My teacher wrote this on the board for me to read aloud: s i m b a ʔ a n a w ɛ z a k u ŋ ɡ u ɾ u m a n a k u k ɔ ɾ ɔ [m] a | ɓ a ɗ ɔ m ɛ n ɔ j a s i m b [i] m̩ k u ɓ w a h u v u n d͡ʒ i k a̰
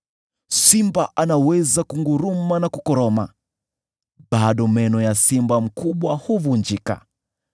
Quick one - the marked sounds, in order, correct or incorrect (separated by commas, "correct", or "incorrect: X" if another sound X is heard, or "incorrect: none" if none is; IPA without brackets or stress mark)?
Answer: correct, incorrect: a